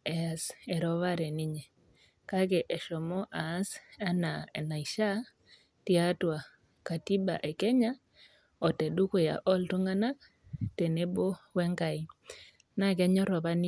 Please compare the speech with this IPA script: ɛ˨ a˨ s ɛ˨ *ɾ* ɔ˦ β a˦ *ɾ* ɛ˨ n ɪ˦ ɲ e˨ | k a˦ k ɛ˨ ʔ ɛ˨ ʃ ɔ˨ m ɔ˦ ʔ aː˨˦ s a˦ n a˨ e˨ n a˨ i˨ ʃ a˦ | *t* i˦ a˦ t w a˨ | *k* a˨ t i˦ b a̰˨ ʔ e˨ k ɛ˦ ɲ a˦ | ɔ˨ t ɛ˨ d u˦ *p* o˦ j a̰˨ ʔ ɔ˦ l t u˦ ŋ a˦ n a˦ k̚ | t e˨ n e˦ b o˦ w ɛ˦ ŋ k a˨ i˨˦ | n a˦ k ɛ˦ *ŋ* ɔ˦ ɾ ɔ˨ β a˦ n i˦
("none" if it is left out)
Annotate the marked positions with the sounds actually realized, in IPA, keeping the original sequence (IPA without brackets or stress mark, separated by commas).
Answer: ɾ, ɾ, t, k, k, ɲ